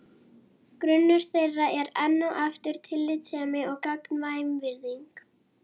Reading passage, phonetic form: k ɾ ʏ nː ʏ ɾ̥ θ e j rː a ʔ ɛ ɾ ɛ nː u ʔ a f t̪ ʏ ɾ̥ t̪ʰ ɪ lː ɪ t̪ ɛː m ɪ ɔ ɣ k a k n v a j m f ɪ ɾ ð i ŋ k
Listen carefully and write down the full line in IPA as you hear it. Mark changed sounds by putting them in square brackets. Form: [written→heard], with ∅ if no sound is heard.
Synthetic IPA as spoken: k ɾ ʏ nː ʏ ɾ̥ θ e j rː a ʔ ɛ ɾ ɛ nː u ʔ a f t̪ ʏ ɾ̥ t̪ʰ ɪ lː ɪ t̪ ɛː m ɪ ɔ ɣ k a k n v a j m [f→v] ɪ ɾ ð i ŋ k